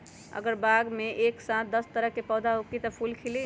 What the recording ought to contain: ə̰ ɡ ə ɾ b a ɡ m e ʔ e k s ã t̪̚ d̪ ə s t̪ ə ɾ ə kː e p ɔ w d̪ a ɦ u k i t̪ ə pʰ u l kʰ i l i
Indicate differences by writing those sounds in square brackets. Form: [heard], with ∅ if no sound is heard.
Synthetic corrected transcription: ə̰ ɡ ə ɾ b a ɡ m e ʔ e k s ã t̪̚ d̪ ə s t̪ ə ɾ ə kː e p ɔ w d̪ a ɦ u k i t̪ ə pʰ u l kʰ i l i